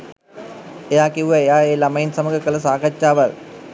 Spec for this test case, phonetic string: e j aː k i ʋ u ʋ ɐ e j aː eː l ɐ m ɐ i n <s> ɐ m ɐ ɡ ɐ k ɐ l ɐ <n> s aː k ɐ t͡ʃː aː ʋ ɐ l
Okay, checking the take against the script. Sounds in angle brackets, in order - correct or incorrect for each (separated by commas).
correct, incorrect